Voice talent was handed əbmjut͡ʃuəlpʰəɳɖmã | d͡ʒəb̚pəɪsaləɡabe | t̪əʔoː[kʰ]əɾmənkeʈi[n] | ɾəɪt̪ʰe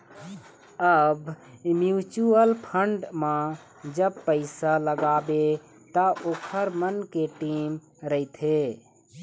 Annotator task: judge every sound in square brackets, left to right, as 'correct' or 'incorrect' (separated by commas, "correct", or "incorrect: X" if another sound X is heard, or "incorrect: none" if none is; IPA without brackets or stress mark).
correct, incorrect: m